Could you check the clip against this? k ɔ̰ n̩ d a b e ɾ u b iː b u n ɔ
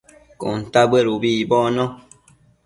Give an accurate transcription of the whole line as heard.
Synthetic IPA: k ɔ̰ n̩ t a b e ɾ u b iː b ɔ n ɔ